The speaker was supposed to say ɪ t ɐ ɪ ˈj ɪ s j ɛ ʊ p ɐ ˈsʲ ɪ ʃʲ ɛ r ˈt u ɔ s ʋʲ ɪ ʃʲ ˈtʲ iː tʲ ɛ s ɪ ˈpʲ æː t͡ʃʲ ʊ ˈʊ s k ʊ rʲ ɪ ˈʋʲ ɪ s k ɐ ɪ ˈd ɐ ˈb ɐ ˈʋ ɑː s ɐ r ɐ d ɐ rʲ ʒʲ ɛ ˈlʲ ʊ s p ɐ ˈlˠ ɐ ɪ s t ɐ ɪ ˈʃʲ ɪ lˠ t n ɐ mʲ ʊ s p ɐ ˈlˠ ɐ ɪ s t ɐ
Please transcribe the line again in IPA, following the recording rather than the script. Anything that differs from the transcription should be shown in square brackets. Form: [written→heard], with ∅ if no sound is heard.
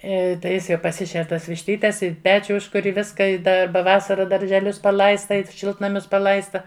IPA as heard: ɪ t ɐ ɪ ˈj ɪ s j ɛ ʊ p ɐ ˈsʲ ɪ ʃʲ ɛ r ˈt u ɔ s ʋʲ ɪ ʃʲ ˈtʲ iː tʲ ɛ s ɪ ˈpʲ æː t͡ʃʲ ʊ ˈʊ [s→ʃ] k ʊ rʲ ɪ ˈʋʲ ɪ s k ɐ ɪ ˈd ɐ ˈb ɐ ˈʋ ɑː s ɐ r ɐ d ɐ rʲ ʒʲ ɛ ˈlʲ ʊ s p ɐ ˈlˠ ɐ ɪ s t ɐ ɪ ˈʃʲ ɪ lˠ t n ɐ mʲ ʊ s p ɐ ˈlˠ ɐ ɪ s t ɐ